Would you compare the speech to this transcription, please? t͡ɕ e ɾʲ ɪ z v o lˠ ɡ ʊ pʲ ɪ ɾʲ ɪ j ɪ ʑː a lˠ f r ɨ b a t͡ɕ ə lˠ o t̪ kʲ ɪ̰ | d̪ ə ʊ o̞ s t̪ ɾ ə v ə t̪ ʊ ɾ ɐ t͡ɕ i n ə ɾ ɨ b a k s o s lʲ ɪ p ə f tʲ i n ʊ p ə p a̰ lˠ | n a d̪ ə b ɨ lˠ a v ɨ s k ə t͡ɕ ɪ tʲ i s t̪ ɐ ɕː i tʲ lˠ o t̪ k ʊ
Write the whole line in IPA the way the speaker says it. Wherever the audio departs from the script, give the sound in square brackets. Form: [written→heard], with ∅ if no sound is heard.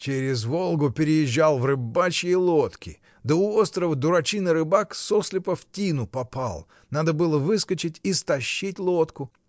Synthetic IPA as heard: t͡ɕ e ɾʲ ɪ z v o lˠ ɡ ʊ pʲ ɪ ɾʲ ɪ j ɪ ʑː a lˠ [f→v] r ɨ b a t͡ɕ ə lˠ o t̪ kʲ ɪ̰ | d̪ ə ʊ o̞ s t̪ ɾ ə v ə [t̪→d̪] ʊ ɾ ɐ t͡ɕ i n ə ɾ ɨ b a k s o s lʲ ɪ p ə f tʲ i n ʊ p [ə→ɐ] p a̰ lˠ | n a d̪ ə b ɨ lˠ [a→ə] v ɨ s k ə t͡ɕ ɪ tʲ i s t̪ ɐ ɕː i tʲ lˠ o t̪ k ʊ